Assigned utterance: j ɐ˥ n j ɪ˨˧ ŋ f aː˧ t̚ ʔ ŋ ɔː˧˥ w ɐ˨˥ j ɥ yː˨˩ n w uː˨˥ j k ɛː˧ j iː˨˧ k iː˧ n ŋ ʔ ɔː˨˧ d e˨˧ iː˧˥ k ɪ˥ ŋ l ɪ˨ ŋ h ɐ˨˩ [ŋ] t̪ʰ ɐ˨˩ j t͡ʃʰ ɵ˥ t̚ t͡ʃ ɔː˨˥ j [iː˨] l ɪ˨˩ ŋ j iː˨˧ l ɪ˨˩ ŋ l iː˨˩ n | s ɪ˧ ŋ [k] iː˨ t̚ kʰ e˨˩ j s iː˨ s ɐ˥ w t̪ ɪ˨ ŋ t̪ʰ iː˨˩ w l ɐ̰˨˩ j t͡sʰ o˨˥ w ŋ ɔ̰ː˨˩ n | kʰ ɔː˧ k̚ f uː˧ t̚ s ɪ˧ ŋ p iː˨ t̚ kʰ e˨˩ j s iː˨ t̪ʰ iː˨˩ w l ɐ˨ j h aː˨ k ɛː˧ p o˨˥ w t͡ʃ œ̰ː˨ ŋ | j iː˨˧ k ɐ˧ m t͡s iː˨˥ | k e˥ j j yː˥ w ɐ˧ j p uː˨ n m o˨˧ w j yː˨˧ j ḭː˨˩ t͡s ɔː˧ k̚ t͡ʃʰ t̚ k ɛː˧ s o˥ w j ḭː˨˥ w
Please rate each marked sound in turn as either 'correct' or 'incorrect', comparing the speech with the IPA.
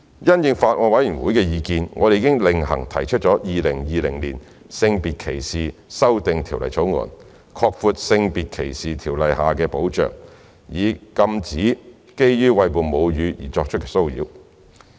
correct, correct, incorrect: p

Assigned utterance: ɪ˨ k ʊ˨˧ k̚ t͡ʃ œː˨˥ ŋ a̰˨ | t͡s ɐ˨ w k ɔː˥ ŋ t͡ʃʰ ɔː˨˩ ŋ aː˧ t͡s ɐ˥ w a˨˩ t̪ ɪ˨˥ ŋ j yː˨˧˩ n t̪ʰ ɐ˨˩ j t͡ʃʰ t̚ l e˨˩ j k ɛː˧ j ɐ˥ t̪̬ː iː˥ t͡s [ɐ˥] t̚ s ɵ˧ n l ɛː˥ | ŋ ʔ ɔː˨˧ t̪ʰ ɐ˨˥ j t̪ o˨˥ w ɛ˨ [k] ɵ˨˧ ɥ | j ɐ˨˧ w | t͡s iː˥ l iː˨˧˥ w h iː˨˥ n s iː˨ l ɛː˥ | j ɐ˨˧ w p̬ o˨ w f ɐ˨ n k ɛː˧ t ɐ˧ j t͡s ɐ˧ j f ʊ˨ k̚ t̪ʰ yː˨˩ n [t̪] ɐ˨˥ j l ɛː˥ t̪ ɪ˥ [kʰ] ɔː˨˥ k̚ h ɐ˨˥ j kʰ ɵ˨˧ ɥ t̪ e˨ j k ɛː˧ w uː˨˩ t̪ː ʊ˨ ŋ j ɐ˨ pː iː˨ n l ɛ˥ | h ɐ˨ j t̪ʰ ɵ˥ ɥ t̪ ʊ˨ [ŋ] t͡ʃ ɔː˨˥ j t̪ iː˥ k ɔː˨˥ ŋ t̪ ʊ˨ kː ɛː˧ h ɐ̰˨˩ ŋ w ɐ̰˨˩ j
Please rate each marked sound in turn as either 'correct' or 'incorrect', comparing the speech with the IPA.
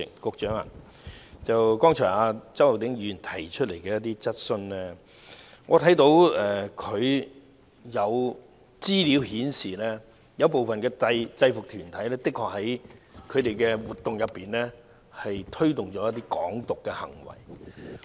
correct, incorrect: kʰ, incorrect: t̪ʰ, correct, correct

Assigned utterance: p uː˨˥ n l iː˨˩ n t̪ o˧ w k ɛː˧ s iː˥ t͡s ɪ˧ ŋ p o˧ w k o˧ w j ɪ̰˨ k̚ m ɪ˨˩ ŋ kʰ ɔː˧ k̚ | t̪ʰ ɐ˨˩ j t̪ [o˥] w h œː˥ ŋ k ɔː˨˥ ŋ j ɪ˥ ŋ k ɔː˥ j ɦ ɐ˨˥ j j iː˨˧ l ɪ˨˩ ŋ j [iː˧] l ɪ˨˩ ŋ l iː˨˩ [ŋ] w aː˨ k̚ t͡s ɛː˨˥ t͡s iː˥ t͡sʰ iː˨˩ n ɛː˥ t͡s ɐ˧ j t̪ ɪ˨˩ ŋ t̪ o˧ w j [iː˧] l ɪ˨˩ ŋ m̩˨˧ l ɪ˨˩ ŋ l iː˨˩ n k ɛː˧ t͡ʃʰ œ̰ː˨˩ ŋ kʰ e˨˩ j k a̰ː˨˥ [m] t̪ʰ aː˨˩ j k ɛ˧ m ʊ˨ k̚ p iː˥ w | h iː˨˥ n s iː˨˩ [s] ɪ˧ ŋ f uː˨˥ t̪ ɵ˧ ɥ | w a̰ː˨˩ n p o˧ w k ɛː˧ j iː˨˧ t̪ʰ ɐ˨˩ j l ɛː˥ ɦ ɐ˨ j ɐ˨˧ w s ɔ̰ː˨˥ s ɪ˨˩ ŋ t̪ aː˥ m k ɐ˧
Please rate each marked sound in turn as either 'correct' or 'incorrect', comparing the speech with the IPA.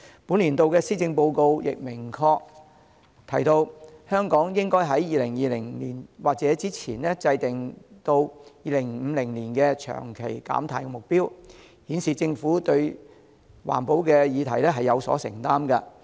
incorrect: o˧, correct, incorrect: n, correct, correct, incorrect: t͡s

